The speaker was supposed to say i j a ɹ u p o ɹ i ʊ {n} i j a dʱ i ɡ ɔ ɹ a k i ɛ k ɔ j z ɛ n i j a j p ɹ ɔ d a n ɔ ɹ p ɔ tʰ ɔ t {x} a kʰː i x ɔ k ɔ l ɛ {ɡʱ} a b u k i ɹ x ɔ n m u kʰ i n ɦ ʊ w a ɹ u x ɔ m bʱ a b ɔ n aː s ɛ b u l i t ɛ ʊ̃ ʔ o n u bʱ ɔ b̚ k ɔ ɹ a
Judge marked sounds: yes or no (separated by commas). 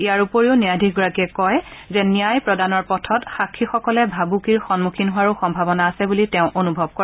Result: yes, yes, no